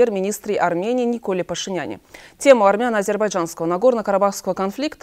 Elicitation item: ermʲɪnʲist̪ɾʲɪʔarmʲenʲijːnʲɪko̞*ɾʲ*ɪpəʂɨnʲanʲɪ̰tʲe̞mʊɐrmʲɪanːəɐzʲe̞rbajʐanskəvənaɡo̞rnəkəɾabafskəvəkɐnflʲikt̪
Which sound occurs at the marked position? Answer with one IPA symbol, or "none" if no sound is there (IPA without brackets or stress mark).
lʲ